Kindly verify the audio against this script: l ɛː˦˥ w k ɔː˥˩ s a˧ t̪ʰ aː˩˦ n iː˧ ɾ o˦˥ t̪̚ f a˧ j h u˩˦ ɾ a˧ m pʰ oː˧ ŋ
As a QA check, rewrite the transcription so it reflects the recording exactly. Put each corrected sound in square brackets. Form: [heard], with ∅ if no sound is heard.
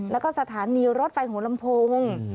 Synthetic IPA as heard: l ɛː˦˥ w k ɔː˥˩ s a˧ t̪ʰ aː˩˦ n iː˧ ɾ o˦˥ t̪̚ f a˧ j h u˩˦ [l] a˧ m pʰ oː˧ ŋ